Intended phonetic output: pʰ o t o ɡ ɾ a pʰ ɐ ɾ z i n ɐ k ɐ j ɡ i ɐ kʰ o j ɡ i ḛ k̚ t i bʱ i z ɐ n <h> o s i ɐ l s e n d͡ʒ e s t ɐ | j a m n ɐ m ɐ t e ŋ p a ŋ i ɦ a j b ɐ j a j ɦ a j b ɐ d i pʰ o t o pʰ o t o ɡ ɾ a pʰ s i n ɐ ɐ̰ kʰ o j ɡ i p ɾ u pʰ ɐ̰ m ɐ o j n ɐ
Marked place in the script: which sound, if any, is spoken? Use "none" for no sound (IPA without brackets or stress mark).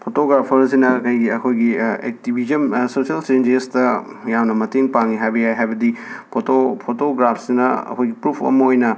s